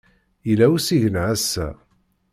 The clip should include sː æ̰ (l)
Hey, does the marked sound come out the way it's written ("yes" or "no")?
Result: no